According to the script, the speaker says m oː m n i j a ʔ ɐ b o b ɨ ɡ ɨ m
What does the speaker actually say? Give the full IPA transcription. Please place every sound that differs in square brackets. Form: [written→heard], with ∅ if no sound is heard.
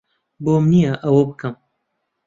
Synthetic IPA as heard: [m→b] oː m n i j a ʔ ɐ [b→w] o b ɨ [ɡ→k] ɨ m